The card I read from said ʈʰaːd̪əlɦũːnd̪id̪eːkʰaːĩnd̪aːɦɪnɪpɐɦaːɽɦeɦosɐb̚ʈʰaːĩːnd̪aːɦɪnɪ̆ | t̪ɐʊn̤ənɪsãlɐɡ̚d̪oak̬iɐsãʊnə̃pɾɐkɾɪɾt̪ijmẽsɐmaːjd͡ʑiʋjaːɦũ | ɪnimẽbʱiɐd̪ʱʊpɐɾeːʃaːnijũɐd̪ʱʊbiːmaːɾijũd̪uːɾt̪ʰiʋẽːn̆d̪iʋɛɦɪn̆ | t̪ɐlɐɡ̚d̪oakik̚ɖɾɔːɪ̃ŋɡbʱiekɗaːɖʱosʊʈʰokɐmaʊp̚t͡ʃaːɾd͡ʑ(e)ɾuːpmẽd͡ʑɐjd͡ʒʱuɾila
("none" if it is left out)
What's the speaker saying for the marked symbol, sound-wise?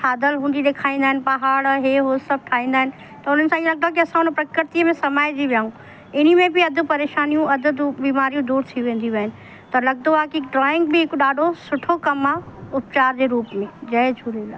e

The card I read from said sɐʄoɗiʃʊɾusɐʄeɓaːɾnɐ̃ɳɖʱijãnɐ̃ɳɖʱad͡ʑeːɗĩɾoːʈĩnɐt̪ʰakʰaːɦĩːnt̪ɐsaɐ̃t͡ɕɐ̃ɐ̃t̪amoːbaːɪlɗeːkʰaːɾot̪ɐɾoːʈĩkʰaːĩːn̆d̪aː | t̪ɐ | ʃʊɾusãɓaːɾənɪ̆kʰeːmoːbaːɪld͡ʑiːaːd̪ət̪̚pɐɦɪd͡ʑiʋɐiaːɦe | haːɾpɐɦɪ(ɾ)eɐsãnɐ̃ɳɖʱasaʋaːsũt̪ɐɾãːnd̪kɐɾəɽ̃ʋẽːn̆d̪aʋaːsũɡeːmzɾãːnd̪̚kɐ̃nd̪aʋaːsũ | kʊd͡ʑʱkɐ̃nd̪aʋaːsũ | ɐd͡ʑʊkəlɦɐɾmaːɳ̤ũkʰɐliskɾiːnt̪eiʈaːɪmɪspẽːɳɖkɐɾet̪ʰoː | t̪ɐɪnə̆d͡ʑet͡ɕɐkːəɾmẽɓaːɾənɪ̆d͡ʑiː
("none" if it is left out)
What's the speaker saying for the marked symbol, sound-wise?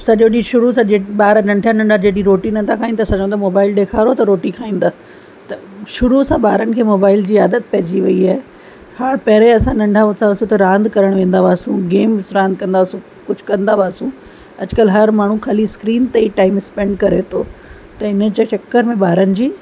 ɾ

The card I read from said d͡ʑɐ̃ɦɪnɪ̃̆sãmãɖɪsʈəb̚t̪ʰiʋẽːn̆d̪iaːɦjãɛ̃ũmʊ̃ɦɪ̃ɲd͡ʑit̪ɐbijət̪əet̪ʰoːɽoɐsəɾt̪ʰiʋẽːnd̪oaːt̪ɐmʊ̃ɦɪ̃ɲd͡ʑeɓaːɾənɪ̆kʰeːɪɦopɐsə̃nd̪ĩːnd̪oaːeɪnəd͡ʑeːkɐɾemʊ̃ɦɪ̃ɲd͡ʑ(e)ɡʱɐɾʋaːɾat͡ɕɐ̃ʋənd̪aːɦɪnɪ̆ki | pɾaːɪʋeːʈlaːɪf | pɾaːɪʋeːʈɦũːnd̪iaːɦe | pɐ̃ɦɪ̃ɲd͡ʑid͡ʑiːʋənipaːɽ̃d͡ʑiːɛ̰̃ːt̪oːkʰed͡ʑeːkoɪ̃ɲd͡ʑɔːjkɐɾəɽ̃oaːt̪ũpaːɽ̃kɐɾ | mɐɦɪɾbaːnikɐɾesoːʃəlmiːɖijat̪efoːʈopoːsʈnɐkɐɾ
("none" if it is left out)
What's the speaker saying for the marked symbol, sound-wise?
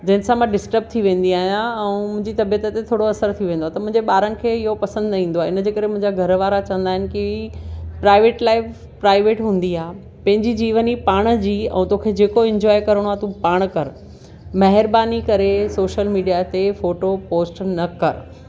a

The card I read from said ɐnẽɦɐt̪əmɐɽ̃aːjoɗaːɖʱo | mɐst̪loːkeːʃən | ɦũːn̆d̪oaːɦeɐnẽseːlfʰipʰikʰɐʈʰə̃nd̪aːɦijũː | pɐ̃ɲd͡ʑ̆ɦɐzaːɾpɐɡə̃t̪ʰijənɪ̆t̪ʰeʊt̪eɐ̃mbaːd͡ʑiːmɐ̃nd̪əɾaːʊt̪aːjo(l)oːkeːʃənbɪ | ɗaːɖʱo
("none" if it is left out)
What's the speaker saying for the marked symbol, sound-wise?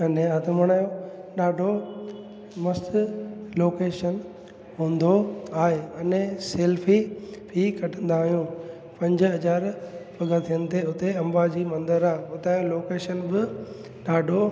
l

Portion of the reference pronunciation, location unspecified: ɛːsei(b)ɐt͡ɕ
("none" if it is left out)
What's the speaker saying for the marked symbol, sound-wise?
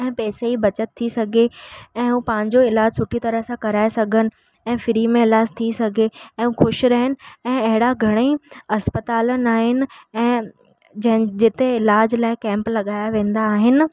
b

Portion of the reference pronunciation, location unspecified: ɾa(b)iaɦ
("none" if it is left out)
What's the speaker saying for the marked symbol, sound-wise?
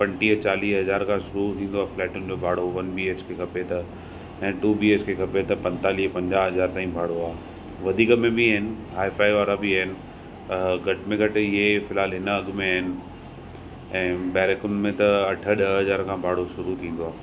b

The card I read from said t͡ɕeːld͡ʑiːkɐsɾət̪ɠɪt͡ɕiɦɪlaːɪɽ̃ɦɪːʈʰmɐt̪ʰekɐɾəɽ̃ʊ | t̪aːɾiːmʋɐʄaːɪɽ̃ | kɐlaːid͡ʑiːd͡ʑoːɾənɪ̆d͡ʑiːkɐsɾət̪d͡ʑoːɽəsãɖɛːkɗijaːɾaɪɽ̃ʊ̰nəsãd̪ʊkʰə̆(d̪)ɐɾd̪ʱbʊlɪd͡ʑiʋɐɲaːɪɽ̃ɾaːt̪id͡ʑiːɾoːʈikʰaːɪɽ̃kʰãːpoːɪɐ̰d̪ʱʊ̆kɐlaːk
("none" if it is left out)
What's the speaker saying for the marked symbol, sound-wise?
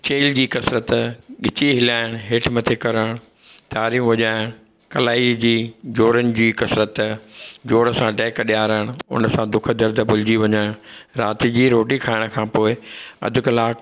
d̪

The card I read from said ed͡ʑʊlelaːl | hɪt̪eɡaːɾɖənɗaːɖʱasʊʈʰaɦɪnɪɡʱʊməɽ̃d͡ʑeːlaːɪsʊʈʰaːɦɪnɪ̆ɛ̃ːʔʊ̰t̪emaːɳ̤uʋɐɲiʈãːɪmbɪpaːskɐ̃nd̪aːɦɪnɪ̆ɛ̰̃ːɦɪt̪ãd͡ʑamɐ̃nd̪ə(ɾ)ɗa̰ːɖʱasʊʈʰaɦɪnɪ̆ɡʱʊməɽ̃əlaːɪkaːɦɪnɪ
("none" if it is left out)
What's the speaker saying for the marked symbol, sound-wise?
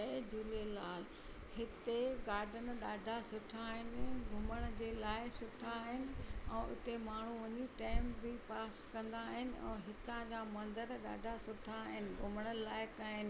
ɾ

